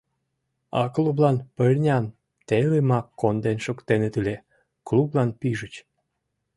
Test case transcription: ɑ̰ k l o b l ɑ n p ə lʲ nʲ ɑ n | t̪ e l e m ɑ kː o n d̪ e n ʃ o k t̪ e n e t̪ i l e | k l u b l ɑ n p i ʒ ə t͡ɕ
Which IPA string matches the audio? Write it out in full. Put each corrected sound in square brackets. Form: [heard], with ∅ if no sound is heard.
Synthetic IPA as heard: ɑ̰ k l [u] b l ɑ n p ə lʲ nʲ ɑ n | t̪ e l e m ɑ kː o n d̪ e n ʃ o k t̪ e n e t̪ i l e | k l u b l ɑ n p i ʒ ə t͡ɕ